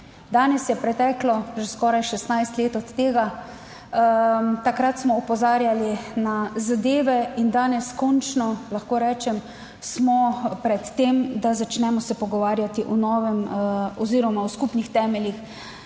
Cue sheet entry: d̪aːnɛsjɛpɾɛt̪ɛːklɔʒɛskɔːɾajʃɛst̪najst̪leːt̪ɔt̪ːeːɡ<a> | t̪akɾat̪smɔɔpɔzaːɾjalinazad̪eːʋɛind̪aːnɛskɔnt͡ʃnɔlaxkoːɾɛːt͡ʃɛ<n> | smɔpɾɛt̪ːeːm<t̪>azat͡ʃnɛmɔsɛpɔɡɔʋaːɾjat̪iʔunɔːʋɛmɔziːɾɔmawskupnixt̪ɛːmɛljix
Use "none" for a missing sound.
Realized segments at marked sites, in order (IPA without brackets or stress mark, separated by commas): a, m, d̪